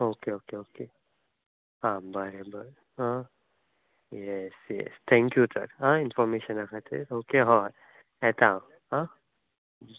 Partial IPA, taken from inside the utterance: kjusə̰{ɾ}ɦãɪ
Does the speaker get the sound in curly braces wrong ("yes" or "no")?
no